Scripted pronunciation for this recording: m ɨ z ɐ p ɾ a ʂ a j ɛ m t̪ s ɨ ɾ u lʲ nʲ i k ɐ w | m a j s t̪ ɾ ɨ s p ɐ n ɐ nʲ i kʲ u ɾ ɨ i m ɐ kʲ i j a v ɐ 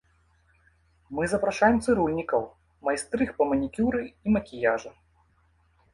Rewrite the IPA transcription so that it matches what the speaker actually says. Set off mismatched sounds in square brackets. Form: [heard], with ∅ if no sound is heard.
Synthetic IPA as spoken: m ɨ z ɐ p ɾ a ʂ a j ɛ m t̪ s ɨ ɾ u lʲ nʲ i k ɐ w | m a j s t̪ ɾ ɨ [x] p ɐ [m] ɐ nʲ i kʲ u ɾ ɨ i m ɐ kʲ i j a [ʐ] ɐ